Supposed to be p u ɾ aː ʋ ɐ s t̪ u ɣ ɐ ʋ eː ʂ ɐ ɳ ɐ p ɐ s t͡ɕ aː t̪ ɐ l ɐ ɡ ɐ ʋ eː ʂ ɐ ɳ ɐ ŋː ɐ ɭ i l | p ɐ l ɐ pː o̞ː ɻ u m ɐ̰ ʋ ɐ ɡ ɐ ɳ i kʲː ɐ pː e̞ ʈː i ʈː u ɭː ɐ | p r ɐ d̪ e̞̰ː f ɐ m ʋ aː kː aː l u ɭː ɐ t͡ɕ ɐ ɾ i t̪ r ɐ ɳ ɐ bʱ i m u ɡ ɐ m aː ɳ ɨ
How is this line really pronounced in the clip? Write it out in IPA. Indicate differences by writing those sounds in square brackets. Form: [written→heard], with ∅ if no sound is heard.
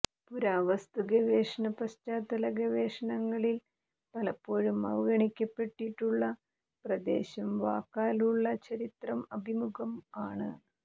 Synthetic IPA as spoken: p u ɾ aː ʋ ɐ s t̪ u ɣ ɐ ʋ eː ʂ ɐ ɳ ɐ p ɐ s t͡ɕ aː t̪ ɐ l ɐ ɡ ɐ ʋ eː ʂ ɐ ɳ ɐ ŋː ɐ ɭ i l | p ɐ l ɐ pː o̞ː ɻ u m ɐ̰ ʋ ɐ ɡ ɐ ɳ i kʲː ɐ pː e̞ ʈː i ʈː u ɭː ɐ | p r ɐ d̪ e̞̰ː [f→ɕ] ɐ m ʋ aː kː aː l u ɭː ɐ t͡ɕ ɐ ɾ i t̪ r ɐ [ɳ→m] ɐ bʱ i m u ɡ ɐ m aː ɳ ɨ